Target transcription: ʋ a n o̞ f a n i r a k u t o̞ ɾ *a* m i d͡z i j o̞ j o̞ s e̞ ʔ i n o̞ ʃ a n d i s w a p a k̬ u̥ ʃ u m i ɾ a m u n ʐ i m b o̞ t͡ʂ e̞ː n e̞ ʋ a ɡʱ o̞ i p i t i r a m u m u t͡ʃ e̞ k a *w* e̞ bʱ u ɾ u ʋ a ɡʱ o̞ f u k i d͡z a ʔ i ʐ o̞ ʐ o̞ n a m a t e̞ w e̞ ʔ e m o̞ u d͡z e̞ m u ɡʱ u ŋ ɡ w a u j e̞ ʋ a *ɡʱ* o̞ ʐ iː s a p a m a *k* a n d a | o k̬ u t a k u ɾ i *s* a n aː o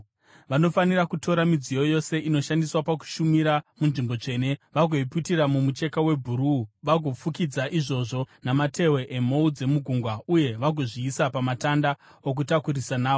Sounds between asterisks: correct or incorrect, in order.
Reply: correct, correct, correct, incorrect: t, correct

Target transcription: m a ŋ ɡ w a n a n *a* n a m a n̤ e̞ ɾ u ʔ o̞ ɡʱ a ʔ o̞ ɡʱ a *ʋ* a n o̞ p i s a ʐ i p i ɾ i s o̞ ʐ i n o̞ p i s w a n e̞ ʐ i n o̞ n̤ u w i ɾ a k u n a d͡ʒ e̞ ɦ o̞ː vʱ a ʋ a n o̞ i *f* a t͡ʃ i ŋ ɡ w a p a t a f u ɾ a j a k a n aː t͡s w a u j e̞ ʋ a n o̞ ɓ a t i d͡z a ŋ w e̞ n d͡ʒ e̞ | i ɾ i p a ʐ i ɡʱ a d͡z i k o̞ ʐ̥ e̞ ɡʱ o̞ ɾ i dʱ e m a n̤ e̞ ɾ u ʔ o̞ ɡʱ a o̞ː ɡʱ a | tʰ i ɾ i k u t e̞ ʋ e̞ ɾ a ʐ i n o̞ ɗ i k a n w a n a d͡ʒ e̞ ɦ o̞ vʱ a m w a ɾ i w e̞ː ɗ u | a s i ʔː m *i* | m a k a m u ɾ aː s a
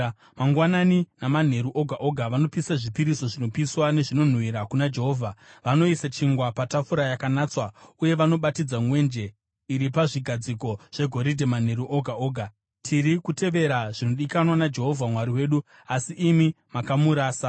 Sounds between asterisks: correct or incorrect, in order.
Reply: incorrect: i, correct, incorrect: s, correct

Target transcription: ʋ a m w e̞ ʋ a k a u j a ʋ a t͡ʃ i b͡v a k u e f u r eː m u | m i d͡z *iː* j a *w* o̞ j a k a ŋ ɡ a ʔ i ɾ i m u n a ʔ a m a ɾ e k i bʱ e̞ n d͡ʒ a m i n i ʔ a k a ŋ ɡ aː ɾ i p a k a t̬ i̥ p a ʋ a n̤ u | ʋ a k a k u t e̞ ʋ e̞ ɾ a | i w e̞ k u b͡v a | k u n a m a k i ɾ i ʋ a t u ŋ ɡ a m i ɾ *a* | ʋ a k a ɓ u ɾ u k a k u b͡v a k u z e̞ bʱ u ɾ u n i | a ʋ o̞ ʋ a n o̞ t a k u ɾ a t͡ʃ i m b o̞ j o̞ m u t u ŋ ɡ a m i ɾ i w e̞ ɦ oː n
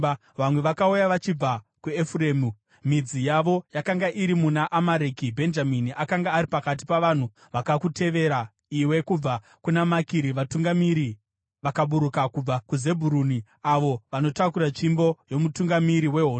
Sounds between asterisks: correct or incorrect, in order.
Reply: incorrect: i, incorrect: ʋ, incorrect: i

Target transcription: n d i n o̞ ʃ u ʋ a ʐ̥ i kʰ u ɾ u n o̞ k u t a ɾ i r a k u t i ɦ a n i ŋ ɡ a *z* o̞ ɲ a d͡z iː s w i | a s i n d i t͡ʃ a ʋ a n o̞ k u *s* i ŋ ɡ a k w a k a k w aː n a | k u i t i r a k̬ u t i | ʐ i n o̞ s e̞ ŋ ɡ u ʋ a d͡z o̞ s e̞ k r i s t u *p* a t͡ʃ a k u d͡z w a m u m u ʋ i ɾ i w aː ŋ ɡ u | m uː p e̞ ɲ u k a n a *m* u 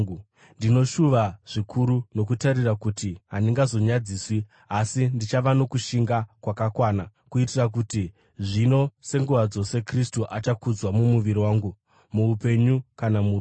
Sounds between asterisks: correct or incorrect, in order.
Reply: correct, incorrect: ʃ, incorrect: ʔ, correct

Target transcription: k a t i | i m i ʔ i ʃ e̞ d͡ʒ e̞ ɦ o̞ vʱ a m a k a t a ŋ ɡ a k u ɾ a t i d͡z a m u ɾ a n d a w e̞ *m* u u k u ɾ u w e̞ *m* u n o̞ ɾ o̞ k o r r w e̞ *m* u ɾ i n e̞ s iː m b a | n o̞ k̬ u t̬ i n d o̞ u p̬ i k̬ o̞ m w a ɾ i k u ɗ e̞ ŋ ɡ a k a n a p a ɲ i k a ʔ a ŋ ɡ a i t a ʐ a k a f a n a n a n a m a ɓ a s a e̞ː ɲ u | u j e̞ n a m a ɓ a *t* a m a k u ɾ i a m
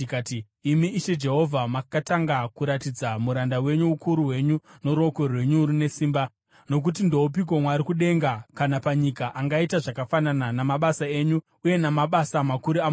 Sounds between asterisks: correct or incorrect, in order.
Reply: incorrect: ɲ, incorrect: ɲ, incorrect: ɲ, incorrect: s

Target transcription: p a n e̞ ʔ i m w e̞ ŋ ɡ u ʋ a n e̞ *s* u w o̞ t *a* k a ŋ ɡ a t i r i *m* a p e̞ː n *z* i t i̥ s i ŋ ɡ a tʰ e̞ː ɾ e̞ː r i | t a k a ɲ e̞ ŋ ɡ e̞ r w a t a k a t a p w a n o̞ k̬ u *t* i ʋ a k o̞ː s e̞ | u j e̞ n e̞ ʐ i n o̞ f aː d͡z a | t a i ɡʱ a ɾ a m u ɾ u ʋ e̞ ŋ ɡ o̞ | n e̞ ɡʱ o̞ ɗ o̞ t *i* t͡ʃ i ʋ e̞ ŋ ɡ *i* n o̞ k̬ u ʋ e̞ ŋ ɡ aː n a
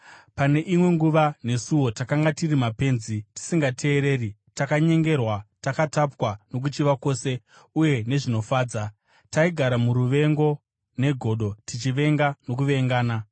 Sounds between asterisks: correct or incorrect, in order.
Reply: correct, correct, correct, correct, incorrect: t͡ʃ, correct, incorrect: a

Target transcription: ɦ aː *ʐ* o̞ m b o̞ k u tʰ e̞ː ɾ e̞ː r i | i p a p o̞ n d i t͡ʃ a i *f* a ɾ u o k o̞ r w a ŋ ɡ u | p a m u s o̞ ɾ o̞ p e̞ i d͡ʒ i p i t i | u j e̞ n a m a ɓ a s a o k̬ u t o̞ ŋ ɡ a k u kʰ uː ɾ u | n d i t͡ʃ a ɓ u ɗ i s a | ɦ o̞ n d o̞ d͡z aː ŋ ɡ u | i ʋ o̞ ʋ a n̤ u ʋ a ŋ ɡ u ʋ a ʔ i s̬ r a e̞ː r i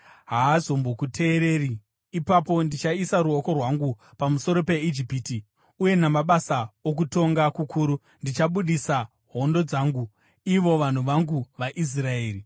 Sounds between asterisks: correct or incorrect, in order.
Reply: incorrect: z, incorrect: s

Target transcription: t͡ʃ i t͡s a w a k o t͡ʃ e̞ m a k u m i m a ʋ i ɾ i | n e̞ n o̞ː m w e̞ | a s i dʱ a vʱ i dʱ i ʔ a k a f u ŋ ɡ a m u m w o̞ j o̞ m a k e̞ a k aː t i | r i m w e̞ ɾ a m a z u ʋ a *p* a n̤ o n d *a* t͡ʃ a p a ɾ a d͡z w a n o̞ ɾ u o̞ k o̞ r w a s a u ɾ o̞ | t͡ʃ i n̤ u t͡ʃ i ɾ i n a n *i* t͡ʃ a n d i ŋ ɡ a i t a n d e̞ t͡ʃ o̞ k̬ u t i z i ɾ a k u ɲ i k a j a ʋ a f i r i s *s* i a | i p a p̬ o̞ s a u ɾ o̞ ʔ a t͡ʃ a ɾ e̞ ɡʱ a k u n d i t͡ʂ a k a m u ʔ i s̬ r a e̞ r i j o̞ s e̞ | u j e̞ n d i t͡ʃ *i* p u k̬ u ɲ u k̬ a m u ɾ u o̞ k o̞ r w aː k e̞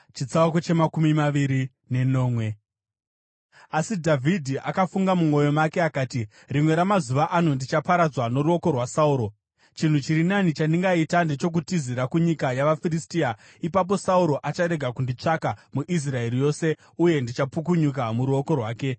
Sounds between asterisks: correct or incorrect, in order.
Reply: incorrect: ʔ, incorrect: i, correct, incorrect: t, incorrect: a

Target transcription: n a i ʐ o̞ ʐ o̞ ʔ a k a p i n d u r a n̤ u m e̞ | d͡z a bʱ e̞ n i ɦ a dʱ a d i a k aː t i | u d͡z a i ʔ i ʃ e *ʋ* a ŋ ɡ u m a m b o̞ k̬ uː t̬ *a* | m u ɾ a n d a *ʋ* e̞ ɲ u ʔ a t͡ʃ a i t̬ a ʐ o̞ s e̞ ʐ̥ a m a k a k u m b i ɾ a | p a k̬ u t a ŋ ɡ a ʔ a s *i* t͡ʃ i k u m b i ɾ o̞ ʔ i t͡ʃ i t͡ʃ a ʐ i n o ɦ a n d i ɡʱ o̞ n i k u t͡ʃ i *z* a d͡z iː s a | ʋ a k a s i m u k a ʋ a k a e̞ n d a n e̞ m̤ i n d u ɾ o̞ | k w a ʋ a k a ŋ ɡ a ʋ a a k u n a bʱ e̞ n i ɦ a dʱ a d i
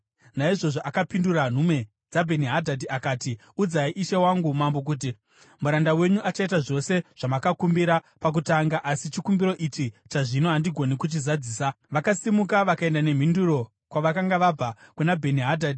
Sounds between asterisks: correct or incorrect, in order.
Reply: incorrect: w, incorrect: i, incorrect: w, correct, correct

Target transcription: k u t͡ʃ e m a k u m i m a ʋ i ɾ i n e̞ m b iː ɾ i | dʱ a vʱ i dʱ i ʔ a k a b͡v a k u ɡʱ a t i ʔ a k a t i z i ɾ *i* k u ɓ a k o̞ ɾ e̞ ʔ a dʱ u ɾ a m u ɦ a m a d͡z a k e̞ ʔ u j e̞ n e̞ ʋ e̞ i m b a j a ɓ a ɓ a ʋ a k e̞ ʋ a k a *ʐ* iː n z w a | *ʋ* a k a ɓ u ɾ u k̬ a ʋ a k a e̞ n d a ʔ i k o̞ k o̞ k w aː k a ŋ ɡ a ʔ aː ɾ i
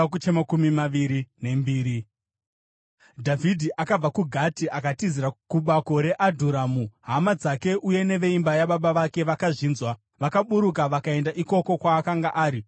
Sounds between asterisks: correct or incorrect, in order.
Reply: incorrect: a, correct, correct

